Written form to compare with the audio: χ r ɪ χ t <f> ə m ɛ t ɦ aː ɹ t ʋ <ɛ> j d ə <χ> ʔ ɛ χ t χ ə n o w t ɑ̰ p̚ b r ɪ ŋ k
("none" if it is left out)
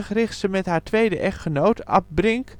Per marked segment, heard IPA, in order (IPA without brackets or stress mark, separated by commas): s, e, none